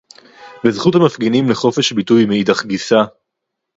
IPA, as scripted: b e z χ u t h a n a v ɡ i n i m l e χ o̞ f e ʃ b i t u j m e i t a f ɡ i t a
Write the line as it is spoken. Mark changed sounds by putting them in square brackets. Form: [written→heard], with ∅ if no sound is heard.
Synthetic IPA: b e z χ u t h a [n→m] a [v→f] ɡ i n i m l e χ o̞ f e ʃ b i t u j m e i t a [f→χ] ɡ i [t→s] a